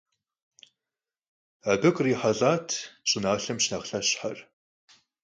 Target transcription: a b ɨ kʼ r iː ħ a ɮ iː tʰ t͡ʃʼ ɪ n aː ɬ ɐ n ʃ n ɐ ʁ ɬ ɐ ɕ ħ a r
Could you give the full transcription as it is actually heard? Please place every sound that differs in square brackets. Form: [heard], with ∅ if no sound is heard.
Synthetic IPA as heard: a b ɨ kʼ r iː ħ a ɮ [aː] tʰ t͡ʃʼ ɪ n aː ɬ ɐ [m] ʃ n ɐ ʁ ɬ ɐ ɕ ħ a r